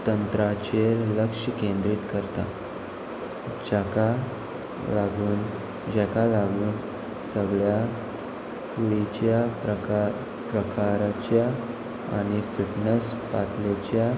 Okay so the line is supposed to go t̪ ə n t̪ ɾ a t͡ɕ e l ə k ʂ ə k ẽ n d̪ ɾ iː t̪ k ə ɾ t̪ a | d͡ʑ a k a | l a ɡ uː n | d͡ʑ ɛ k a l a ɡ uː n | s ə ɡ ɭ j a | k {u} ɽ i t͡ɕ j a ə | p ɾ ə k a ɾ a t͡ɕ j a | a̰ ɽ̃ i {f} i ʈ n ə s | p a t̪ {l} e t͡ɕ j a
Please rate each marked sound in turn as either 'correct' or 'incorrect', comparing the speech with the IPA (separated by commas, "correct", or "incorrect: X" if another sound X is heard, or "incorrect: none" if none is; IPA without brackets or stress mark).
correct, correct, correct